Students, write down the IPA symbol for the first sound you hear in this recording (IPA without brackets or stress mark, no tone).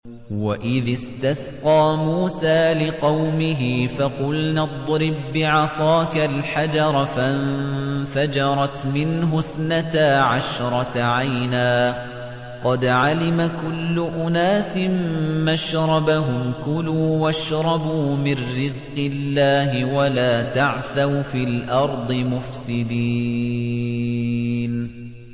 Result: w